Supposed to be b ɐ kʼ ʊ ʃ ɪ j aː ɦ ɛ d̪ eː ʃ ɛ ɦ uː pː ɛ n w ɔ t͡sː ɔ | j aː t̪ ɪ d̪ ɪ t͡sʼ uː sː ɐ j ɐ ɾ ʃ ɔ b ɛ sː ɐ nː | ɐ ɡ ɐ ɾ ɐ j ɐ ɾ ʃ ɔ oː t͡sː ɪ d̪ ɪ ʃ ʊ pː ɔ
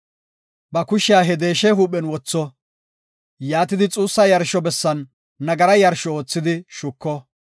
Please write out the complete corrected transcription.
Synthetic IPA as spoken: b ɐ k ʊ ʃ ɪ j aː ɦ ɛ d̪ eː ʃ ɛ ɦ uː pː ɛ n w ɔ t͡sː ɔ | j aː t̪ ɪ d̪ ɪ t͡sʼ uː sː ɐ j ɐ ɾ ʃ ɔ b ɛ sː ɐ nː | ɐ ɡ ɐ ɾ ɐ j ɐ ɾ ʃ ɔ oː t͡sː ɪ d̪ ɪ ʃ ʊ kː ɔ